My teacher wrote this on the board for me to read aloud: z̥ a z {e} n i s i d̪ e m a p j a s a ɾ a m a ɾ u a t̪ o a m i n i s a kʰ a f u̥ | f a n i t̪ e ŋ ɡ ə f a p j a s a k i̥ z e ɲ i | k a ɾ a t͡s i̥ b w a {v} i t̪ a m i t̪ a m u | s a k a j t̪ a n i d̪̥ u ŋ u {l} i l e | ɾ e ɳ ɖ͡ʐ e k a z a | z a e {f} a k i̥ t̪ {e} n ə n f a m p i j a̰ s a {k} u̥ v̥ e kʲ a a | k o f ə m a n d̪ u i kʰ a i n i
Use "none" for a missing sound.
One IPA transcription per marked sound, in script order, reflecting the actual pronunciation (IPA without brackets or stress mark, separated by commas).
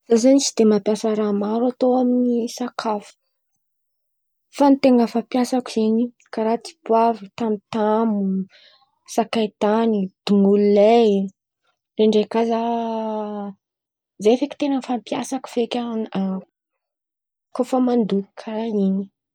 a, v, l, f, e, k